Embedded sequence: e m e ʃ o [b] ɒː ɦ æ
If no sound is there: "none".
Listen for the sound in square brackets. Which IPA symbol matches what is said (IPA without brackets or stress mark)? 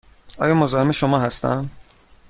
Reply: m